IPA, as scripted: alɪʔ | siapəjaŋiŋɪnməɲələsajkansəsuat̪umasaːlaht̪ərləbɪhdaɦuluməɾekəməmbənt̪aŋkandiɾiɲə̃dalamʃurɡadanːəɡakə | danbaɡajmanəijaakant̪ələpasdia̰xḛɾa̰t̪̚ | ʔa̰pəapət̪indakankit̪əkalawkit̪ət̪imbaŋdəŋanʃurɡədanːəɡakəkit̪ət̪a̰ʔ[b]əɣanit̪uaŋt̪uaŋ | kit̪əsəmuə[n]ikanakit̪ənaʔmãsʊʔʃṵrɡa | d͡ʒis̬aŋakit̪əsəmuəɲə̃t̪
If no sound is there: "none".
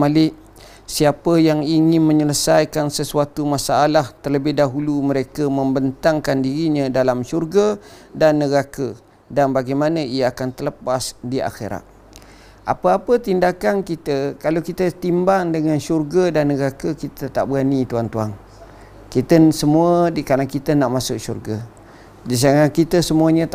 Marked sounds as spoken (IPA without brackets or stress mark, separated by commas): b, d